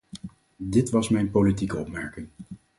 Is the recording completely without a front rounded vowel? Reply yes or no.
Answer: yes